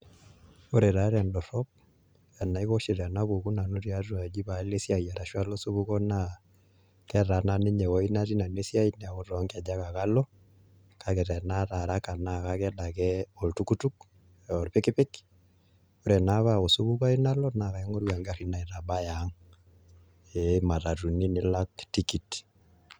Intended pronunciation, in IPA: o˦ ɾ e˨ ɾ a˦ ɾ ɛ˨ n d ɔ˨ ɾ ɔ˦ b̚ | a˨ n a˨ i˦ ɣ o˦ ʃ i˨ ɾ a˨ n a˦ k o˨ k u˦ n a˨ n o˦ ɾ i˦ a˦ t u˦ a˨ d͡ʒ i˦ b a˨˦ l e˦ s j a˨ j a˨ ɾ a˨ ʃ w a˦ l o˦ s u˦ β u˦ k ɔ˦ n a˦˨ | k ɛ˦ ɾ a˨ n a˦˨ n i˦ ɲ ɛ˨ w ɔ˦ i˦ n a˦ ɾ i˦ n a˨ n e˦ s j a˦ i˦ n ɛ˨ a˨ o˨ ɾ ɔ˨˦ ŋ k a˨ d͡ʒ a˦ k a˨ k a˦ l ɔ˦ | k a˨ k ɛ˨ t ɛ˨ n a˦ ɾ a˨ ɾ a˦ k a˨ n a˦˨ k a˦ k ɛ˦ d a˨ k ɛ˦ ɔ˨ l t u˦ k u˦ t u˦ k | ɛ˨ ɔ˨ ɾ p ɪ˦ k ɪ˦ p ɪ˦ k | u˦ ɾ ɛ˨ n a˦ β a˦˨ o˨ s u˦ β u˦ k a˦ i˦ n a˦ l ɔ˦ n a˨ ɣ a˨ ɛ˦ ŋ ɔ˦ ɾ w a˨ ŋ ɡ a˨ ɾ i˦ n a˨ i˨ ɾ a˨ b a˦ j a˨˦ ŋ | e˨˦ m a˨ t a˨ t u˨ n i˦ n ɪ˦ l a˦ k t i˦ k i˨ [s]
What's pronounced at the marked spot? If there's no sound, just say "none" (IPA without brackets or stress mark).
t